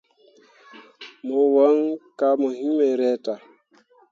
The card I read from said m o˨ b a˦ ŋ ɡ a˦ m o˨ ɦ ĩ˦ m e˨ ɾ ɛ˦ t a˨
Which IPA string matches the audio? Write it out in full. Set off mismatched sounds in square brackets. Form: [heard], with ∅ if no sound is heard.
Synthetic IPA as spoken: m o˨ [w] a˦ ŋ [k] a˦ m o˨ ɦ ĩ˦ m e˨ ɾ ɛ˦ t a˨